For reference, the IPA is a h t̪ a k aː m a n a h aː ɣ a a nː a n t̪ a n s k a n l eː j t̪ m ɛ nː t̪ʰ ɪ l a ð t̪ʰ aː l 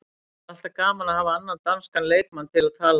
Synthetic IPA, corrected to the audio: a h t̪ a k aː m a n a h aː v a a nː a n t̪ a n s k a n l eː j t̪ m a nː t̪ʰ ɪ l a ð t̪ʰ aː l